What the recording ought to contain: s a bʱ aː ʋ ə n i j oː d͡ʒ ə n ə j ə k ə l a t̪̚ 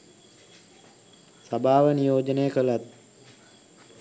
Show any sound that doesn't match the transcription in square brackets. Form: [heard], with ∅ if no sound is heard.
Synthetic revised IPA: s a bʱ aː ʋ ə n i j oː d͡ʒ ə n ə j ə k ə l a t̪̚